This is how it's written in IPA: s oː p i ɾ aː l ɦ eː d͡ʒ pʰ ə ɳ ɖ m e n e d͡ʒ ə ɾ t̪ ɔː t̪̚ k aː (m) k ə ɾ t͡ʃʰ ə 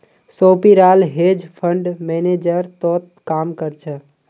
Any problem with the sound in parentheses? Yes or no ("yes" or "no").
no